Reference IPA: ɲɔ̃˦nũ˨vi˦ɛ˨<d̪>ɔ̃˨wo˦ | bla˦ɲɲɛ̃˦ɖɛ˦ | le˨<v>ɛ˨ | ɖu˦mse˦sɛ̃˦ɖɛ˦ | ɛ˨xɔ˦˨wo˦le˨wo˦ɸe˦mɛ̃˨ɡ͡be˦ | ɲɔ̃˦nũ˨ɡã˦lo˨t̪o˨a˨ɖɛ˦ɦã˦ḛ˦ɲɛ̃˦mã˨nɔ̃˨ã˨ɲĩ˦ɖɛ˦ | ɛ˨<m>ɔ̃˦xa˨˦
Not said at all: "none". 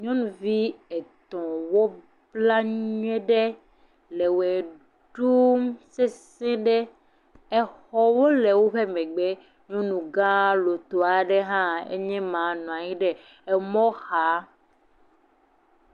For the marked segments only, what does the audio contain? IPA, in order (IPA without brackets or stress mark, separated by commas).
t̪, w, m